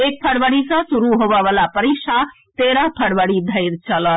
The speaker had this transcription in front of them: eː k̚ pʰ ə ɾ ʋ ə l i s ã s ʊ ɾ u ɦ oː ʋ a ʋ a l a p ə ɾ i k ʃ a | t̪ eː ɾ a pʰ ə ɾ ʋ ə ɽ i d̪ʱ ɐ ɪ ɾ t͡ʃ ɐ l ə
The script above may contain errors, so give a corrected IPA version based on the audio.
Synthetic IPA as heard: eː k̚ pʰ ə ɽ ʋ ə ɽ i s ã s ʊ ɾ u ɦ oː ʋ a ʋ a l a p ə ɾ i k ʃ a | t̪ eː ɾ a pʰ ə ɽ ʋ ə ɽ i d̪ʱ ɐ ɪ ɾ t͡ʃ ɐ l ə